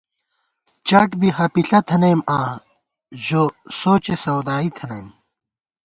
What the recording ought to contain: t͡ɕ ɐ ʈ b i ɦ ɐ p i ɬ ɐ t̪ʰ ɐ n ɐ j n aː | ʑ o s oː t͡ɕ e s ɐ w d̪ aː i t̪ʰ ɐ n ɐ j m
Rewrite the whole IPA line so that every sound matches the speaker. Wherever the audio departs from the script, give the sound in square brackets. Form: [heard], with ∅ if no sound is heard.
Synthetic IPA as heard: t͡ɕ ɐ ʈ b i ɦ ɐ p i ɬ ɐ t̪ʰ ɐ n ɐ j [m] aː | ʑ o s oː t͡ɕ e s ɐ w d̪ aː i t̪ʰ ɐ n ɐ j m